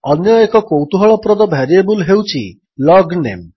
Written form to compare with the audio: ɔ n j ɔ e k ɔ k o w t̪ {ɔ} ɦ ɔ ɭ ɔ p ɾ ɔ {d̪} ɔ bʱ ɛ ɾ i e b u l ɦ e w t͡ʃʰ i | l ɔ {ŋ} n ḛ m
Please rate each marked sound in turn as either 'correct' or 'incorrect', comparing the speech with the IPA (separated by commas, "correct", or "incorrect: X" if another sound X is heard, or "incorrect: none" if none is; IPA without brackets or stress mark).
incorrect: u, correct, incorrect: ɡ